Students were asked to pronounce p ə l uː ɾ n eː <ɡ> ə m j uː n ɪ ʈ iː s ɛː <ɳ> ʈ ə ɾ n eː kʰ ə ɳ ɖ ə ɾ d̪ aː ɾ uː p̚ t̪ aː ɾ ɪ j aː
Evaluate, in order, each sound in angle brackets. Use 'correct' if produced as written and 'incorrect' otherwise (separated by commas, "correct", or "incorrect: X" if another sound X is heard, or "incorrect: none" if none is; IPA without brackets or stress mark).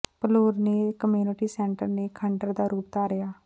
incorrect: k, correct